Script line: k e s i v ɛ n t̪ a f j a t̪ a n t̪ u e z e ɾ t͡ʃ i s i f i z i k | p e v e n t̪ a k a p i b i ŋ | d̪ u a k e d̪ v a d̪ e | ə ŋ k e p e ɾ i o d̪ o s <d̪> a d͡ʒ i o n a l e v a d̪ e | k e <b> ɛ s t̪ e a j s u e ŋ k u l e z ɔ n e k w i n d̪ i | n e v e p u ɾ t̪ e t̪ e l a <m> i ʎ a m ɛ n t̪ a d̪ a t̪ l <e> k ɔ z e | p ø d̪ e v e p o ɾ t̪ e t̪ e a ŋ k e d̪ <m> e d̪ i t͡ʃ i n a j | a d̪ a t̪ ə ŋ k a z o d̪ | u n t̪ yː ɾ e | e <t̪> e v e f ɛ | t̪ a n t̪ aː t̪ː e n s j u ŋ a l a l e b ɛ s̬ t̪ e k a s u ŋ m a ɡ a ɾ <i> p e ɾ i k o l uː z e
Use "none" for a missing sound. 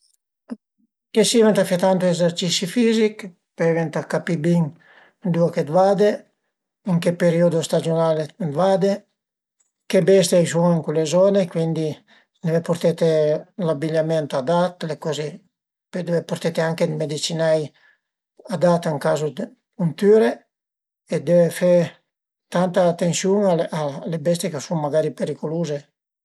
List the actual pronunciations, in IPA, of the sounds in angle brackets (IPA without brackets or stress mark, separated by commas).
t̪, b, b, e, m, d̪, i